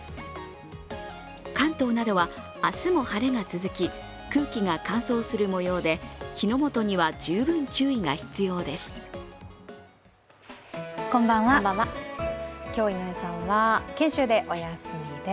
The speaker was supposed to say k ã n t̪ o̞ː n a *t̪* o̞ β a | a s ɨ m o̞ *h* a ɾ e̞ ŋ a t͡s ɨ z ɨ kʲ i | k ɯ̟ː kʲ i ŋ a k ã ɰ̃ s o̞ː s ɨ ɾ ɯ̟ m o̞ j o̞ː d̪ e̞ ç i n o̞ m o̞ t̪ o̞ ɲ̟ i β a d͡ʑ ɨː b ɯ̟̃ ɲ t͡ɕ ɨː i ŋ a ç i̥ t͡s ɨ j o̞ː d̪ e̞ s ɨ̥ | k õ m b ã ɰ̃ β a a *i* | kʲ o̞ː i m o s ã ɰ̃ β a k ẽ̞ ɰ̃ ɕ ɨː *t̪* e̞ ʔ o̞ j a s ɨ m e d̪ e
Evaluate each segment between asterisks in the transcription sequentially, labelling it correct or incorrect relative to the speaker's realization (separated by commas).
incorrect, correct, incorrect, incorrect